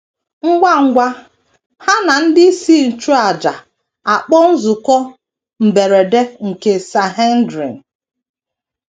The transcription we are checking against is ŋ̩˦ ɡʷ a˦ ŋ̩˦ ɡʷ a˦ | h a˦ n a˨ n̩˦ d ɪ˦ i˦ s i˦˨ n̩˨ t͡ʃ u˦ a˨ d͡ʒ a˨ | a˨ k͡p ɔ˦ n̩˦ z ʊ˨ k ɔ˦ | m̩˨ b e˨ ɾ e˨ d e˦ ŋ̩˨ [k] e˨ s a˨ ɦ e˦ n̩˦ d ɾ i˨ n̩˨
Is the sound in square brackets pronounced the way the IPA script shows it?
yes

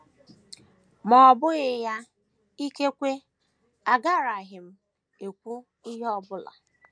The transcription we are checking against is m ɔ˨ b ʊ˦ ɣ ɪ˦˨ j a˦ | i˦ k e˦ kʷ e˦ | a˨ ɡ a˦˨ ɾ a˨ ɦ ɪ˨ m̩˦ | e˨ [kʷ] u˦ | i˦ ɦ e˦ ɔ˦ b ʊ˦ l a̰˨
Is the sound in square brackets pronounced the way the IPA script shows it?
yes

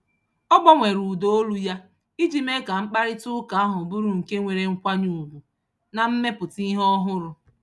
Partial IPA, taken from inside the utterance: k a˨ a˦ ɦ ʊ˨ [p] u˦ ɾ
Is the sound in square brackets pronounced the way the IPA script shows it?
no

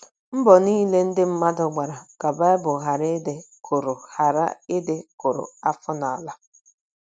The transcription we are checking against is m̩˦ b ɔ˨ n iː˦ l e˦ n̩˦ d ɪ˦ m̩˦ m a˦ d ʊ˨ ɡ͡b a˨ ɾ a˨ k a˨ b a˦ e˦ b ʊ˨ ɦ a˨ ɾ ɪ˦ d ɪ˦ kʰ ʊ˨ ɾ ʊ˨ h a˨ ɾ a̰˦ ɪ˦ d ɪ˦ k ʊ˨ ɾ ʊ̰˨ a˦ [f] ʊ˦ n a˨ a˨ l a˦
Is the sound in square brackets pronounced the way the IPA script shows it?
yes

